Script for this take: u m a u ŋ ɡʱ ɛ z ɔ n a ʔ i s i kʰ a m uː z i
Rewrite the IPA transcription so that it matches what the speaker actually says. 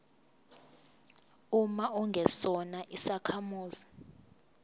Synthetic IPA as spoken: u m a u ŋ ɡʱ ɛ s ɔ n a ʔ i s a kʰ a m uː z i